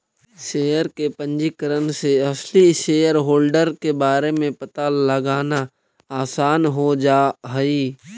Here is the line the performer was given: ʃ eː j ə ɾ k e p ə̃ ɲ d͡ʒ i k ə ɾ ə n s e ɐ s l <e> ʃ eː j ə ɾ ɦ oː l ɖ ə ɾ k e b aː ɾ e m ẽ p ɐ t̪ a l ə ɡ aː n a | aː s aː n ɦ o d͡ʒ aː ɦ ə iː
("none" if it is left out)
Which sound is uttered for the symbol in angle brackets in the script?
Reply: i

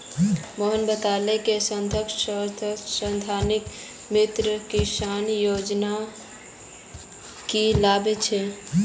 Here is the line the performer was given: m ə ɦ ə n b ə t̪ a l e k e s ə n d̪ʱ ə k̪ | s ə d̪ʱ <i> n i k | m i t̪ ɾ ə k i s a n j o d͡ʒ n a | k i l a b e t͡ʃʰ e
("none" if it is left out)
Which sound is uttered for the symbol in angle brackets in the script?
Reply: a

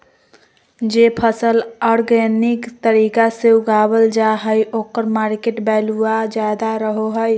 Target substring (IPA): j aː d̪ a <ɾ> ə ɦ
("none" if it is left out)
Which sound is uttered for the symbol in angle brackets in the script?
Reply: ɾ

